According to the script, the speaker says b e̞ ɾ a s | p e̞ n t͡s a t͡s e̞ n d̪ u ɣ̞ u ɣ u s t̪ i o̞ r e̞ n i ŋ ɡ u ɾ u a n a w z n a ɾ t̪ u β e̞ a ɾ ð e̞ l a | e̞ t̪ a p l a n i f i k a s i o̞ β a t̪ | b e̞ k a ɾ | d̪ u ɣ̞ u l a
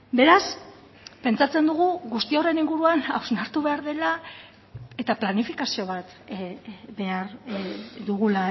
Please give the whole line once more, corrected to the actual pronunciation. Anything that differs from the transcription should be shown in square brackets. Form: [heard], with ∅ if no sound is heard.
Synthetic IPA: b e̞ ɾ a s | p e̞ n t͡s a t͡s e̞ n d̪ u ɣ̞ u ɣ u s t̪ i o̞ r e̞ n i ŋ ɡ u ɾ u a n a w z n a ɾ t̪ u β e̞ a ɾ ð e̞ l a | e̞ t̪ a p l a n i f i k a s i o̞ β a t̪ | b e̞ [∅] a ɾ | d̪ u ɣ̞ u l a